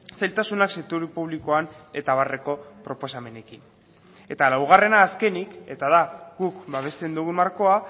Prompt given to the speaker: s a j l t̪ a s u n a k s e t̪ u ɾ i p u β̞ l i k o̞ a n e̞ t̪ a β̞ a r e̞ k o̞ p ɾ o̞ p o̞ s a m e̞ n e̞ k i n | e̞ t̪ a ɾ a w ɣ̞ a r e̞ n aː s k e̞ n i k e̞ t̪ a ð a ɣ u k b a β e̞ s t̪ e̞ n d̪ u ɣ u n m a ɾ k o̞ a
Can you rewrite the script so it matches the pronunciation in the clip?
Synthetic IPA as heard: s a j l t̪ a s u n a k s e t̪ u ɾ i p u β̞ l i k o̞ a n e̞ t̪ a β̞ a r e̞ k o̞ p ɾ o̞ p o̞ s a m e̞ n e̞ k i n | e̞ t̪ a l a w ɣ̞ a r e̞ n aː s k e̞ n i k e̞ t̪ a ð a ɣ u k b a β e̞ s t̪ e̞ n d̪ u ɣ u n m a ɾ k o̞ a